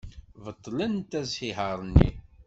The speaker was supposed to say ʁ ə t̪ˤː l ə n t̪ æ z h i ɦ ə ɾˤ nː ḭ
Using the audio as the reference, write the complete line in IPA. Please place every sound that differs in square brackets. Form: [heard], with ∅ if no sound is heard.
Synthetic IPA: [v] ə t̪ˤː l ə n t̪ æ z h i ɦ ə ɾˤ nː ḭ